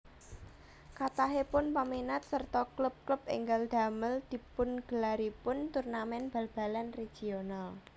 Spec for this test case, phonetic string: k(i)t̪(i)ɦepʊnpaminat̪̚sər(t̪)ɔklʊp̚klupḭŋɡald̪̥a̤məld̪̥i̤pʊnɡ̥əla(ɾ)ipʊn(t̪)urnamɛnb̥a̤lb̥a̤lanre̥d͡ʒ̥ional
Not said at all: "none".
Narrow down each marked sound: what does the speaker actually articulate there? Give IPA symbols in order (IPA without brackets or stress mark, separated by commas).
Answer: a, a, t̪, ɾ, t̪